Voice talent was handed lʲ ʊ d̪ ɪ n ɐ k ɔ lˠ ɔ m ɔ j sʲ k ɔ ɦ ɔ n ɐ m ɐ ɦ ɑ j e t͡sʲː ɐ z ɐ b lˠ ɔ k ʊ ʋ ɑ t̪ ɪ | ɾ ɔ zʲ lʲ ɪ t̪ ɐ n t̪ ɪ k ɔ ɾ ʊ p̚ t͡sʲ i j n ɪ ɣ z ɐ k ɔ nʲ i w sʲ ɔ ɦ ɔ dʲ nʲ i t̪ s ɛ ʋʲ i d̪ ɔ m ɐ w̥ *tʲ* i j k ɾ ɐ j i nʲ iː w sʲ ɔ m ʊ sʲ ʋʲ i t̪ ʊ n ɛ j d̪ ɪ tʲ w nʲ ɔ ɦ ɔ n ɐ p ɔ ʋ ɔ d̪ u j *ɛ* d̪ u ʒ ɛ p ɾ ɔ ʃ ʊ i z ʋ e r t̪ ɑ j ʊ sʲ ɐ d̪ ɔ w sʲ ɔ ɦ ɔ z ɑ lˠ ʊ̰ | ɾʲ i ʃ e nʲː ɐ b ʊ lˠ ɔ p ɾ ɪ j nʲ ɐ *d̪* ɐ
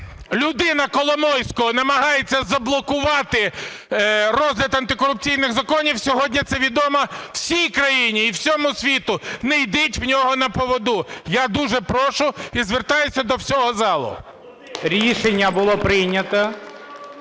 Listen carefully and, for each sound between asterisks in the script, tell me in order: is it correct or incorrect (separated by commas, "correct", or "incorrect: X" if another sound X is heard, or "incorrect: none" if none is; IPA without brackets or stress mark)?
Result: incorrect: sʲ, incorrect: a, incorrect: t̪